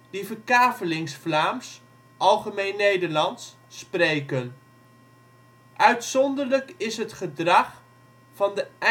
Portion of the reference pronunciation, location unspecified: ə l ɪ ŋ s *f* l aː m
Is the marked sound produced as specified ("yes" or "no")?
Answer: yes